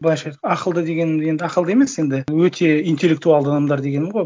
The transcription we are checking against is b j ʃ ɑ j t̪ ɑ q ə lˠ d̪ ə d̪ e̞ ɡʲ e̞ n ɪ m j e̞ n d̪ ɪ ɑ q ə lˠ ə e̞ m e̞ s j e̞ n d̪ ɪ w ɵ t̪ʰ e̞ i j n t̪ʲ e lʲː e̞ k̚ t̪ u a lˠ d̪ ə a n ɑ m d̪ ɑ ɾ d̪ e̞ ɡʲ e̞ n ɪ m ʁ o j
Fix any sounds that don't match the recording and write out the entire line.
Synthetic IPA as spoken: b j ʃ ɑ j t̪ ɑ q ə lˠ d̪ ə d̪ e̞ ɡʲ e̞ n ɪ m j e̞ n d̪ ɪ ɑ q ə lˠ ə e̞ m e̞ s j e̞ n d̪ ɪ w ɵ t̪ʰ e̞ i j n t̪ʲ e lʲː e̞ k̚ t̪ u a lˠ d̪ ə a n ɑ m d̪ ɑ ɾ d̪ e̞ ɡʲ e̞ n ɪ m ʁ o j